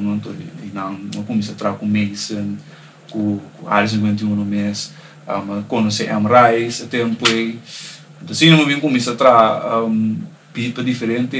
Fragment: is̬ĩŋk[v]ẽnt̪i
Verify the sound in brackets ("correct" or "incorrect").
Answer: incorrect